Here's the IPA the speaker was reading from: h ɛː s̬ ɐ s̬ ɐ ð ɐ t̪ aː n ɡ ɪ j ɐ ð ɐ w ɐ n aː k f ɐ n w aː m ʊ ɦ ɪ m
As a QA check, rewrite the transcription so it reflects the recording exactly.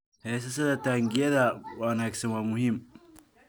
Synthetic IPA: h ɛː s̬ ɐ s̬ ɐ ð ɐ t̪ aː ŋ ɡ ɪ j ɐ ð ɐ w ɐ n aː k s ɐ n w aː m ʊ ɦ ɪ m